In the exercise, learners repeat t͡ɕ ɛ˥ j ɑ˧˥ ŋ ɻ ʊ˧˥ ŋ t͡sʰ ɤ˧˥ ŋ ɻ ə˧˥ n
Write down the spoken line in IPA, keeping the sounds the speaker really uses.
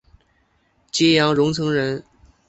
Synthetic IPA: t͡ɕ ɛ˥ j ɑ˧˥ ŋ ɻ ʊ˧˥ ŋ t͡sʰ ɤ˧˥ ŋ ɻ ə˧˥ n